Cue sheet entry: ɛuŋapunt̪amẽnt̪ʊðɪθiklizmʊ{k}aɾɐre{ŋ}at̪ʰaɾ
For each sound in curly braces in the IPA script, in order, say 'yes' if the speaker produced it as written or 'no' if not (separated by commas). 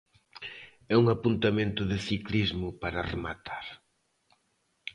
no, no